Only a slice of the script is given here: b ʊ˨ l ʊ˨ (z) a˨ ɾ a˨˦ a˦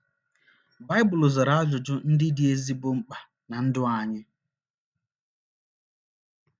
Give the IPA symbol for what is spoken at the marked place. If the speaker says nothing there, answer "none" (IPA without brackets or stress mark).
z